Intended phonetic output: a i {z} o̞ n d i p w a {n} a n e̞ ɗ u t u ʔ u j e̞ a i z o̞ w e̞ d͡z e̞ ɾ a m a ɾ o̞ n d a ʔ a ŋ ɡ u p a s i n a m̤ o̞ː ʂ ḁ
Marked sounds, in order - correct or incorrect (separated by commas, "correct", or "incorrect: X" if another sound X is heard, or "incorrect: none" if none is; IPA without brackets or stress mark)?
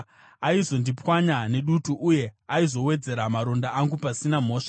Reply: correct, incorrect: ɲ